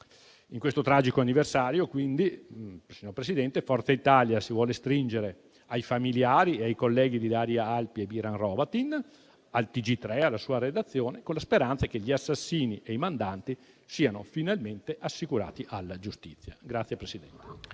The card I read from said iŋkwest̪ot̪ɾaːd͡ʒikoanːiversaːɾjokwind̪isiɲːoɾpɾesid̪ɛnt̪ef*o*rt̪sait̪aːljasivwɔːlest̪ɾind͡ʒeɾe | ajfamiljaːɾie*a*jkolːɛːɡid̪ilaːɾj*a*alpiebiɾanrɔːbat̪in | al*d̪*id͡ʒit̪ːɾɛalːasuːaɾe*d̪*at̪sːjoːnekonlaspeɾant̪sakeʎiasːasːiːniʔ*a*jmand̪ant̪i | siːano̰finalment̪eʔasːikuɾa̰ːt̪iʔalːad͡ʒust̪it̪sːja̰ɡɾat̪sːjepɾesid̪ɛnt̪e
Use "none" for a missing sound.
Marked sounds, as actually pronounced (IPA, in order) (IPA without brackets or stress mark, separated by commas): ɔ, a, a, t̪, d̪, e